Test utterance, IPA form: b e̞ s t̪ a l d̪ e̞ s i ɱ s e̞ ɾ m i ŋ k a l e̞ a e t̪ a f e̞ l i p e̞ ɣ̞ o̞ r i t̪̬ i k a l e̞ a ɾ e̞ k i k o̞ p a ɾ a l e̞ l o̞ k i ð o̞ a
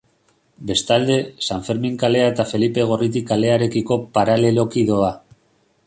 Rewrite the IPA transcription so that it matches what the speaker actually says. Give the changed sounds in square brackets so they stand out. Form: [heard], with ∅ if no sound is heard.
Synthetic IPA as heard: b e̞ s t̪ a l d̪ e̞ s [a] ɱ [f] e̞ ɾ m i ŋ k a l e̞ a e t̪ a f e̞ l i p e̞ ɣ̞ o̞ r i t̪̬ i k a l e̞ a ɾ e̞ k i k o̞ p a ɾ a l e̞ l o̞ k i ð o̞ a